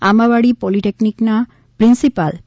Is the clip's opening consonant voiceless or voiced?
voiced